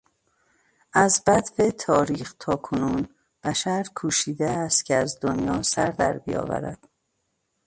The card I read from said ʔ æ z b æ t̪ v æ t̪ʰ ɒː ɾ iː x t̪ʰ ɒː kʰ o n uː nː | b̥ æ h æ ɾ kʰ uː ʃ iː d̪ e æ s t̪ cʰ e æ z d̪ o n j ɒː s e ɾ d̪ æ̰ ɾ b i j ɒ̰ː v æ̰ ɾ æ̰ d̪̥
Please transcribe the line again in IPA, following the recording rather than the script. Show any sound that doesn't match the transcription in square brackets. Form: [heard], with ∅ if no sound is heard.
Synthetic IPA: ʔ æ z b æ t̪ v [e] t̪ʰ ɒː ɾ iː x t̪ʰ ɒː kʰ o n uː [n] | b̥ æ [ʃ] æ ɾ kʰ uː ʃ iː d̪ e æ s t̪ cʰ e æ z d̪ o n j ɒː s [æ] ɾ d̪ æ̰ ɾ b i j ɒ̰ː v æ̰ ɾ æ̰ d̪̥